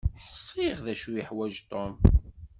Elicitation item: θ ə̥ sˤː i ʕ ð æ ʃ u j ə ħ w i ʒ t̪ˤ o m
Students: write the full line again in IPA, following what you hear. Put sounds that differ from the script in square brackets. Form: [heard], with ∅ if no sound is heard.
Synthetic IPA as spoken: [ħ] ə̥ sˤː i [ʁ] ð æ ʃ u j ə ħ w [æ] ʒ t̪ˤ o m